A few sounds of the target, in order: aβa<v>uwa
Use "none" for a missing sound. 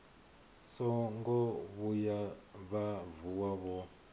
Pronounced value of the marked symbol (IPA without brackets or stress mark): v